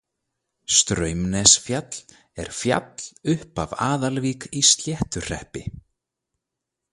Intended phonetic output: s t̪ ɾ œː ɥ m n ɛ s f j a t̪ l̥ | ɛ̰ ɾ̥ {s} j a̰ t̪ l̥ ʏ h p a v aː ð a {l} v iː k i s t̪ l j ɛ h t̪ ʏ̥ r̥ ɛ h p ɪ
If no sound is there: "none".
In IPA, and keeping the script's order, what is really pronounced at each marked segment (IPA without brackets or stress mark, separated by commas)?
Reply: f, l